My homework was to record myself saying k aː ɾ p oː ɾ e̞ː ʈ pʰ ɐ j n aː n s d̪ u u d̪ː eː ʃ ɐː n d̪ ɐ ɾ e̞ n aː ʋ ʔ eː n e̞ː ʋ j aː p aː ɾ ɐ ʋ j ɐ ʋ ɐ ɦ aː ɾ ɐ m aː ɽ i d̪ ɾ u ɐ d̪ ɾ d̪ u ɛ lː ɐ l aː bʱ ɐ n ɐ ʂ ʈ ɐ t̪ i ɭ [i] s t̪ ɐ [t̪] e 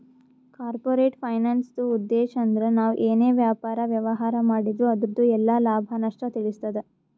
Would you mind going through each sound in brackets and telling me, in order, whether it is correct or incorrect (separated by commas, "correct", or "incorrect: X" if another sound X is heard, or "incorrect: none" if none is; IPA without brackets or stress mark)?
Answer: correct, incorrect: d̪